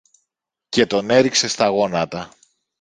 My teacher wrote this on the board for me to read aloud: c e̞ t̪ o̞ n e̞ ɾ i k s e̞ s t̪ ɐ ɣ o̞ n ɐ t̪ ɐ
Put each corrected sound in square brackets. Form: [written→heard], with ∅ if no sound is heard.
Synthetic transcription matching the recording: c e̞ t̪ o̞ n e̞ ɾ i k s e̞ s t̪ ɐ ɣ o̞ n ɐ t̪ ɐ